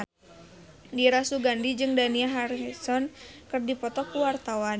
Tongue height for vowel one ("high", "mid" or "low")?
high